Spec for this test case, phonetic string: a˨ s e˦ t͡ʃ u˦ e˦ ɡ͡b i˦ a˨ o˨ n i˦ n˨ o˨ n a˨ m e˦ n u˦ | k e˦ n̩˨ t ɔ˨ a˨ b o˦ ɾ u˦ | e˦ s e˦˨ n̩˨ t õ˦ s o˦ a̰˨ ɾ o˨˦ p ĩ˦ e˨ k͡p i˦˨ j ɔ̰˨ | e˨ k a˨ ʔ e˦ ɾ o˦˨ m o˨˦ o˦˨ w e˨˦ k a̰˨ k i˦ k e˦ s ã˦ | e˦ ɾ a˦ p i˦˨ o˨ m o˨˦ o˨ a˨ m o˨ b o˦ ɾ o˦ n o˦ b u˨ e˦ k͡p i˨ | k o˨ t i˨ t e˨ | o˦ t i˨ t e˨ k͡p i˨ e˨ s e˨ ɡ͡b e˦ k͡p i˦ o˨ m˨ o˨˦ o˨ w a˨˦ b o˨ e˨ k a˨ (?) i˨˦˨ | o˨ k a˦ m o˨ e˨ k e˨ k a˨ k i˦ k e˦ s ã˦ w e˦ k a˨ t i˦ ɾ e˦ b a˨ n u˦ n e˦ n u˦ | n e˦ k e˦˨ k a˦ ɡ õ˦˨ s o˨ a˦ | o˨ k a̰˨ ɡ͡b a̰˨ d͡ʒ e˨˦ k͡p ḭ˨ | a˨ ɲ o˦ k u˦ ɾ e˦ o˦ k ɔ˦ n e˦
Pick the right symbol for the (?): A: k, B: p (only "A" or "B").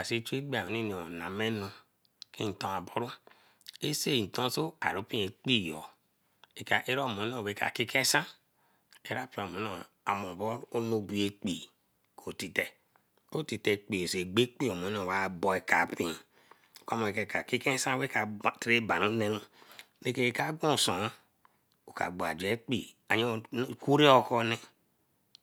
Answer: B